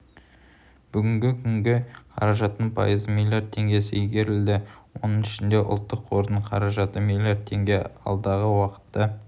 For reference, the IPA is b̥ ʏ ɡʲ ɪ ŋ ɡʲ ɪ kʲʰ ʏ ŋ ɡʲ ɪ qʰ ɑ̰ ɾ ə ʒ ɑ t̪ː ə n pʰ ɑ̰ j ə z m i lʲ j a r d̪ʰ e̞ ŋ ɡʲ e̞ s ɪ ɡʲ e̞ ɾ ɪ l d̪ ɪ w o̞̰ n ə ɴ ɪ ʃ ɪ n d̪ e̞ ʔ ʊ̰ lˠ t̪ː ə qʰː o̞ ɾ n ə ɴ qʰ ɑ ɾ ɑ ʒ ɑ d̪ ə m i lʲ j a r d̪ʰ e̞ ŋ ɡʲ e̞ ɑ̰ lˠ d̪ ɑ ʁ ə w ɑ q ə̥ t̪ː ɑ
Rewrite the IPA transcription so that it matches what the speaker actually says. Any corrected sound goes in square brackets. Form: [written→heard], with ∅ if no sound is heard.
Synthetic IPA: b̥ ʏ ɡʲ ɪ ŋ ɡʲ ɪ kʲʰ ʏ ŋ ɡʲ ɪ qʰ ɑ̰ ɾ [ə→ɑ] ʒ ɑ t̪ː ə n pʰ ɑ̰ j ə z m i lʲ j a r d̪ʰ e̞ ŋ ɡʲ e̞ s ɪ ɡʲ e̞ ɾ ɪ l d̪ ɪ w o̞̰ n ə ɴ ɪ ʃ ɪ n d̪ e̞ ʔ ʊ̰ lˠ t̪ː ə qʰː o̞ ɾ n ə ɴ qʰ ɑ ɾ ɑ ʒ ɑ [d̪→t̪] ə m i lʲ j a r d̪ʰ e̞ ŋ ɡʲ e̞ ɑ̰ lˠ d̪ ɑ ʁ ə w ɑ q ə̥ t̪ː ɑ